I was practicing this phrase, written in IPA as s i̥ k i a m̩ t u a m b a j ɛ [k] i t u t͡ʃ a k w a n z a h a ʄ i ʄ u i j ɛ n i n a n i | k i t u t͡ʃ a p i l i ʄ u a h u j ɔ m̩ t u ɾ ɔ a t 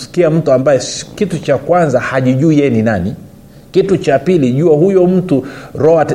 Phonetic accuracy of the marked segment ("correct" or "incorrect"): correct